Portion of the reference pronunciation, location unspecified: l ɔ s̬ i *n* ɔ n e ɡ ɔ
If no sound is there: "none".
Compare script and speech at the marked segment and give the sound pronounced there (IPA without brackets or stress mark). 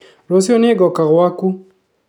none